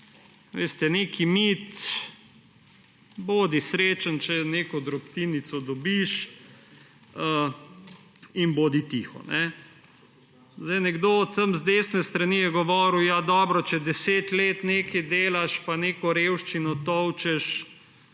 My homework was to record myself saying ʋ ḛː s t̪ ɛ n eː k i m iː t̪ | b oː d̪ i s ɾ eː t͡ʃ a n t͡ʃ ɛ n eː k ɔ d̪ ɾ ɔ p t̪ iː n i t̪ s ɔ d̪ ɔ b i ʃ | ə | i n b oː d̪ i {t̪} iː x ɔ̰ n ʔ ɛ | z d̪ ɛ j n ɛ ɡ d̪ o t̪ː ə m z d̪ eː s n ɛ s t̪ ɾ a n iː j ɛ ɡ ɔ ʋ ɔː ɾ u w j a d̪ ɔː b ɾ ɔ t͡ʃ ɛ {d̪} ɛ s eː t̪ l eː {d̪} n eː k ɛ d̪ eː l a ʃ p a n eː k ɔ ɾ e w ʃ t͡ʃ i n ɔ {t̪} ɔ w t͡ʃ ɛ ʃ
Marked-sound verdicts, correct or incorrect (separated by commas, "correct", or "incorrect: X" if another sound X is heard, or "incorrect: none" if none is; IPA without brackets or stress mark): correct, correct, incorrect: t̪, correct